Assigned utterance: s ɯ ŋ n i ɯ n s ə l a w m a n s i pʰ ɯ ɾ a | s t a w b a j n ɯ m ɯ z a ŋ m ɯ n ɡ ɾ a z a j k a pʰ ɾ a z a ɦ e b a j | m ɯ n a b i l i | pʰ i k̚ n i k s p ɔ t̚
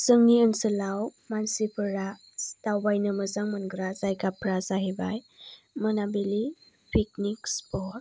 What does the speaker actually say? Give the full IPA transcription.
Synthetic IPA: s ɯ ŋ n i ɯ n s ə l a w m a n s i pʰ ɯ ɾ a | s t a w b a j n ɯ m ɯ z a ŋ m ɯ n ɡ ɾ a z a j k a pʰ ɾ a z a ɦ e b a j | m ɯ n a b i l i | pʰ i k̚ n i k s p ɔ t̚